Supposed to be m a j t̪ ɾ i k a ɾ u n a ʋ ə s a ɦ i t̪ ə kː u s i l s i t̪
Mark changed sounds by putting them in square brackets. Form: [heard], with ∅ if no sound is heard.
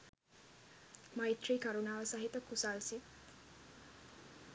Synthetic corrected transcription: m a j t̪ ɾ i k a ɾ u n a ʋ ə s a ɦ i t̪ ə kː u s [a] l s i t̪